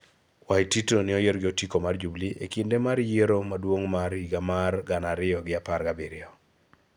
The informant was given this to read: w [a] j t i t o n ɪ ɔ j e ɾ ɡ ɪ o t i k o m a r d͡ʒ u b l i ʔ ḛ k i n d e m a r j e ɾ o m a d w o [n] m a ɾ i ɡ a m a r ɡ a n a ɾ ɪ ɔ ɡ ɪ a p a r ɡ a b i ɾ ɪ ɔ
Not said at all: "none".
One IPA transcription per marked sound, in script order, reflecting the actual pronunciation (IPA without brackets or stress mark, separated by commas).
a, ŋ